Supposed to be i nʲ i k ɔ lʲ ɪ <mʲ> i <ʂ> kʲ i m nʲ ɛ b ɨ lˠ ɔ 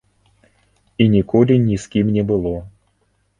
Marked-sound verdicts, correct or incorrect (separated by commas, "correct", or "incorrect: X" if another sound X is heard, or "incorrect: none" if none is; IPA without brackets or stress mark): incorrect: nʲ, incorrect: s